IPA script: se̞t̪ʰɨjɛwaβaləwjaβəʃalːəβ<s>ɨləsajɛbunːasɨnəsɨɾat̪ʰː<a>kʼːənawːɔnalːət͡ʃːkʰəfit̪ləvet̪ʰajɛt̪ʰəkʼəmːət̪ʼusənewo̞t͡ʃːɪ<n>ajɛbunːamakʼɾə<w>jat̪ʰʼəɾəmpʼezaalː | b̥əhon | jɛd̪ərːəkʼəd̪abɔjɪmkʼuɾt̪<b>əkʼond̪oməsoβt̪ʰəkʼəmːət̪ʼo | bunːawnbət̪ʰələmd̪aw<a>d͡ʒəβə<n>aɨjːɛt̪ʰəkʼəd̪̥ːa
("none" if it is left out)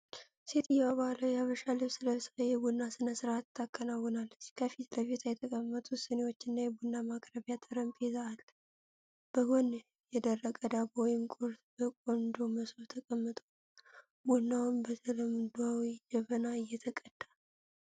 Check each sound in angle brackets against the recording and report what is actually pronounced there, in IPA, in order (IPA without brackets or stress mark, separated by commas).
s, a, nː, β, b, i, n